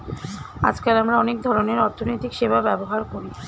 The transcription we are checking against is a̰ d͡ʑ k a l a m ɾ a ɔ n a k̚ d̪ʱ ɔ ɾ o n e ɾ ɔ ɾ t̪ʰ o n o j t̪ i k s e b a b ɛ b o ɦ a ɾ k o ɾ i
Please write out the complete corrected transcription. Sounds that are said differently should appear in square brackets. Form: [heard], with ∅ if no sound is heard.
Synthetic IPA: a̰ d͡ʑ k a l a m ɾ a ɔ n [e] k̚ d̪ʱ ɔ ɾ o n e ɾ ɔ ɾ t̪ʰ o n o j t̪ i k [ʃ] e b a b ɛ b o ɦ a ɾ k o ɾ i